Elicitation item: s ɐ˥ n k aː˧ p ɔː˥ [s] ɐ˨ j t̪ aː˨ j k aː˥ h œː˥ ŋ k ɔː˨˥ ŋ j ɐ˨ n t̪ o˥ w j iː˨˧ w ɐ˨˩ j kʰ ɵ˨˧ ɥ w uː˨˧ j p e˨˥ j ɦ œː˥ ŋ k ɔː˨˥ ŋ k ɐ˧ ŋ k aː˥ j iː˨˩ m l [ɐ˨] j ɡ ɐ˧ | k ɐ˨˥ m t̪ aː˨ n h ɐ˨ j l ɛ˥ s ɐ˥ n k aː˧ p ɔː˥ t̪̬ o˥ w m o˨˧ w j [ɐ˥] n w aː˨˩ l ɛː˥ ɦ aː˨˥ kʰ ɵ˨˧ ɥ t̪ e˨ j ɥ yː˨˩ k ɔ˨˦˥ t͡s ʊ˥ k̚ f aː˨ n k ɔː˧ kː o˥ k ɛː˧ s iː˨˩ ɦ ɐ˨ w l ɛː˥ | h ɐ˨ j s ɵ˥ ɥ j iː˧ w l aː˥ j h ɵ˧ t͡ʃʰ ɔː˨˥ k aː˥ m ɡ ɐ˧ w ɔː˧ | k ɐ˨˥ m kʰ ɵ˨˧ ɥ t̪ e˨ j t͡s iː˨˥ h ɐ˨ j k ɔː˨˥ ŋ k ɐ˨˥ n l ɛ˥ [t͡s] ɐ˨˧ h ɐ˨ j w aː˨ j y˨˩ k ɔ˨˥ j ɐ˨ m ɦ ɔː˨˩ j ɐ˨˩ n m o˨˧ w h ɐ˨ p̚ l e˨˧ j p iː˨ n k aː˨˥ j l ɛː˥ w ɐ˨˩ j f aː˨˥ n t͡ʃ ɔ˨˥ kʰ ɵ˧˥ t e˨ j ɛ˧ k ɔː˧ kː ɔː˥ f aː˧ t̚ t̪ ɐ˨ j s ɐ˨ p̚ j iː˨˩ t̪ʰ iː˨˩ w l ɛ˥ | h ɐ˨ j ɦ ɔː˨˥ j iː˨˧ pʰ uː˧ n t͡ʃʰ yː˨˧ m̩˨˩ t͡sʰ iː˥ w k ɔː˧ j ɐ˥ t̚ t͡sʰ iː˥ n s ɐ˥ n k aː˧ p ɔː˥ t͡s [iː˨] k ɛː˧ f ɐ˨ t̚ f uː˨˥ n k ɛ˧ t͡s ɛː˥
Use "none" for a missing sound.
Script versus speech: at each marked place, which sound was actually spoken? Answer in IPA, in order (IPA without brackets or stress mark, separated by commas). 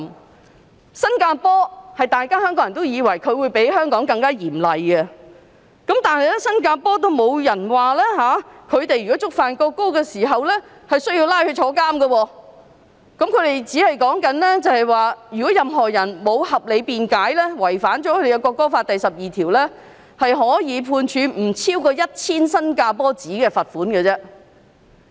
h, ɐ˨, ɐ˨˩, t͡s, iː˨˥